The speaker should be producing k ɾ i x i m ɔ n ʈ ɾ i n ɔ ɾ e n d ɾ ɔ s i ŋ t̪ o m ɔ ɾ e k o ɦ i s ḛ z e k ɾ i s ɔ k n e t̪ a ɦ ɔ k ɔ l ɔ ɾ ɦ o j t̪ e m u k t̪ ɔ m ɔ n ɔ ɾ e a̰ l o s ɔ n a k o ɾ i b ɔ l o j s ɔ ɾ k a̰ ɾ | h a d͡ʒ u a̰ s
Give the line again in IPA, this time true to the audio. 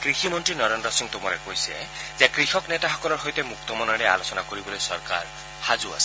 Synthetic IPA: k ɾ i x i m ɔ n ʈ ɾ i n ɔ ɾ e n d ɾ ɔ s i ŋ t̪ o m ɔ ɾ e k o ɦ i s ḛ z e k ɾ i x ɔ k n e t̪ a ɦ ɔ k ɔ l ɔ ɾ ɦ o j t̪ e m u k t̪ ɔ m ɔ n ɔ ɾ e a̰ l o s ɔ n a k o ɾ i b ɔ l o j s ɔ ɾ k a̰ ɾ | h a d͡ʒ u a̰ s